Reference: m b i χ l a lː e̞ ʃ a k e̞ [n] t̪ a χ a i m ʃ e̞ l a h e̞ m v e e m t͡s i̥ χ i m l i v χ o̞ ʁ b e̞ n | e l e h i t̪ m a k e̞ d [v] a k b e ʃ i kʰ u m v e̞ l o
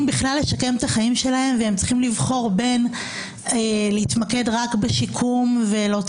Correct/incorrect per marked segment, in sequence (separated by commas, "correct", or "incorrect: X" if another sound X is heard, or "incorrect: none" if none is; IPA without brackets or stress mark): incorrect: m, incorrect: ʁ